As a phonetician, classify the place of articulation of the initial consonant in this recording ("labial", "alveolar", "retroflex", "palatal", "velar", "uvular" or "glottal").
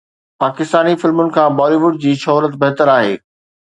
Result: labial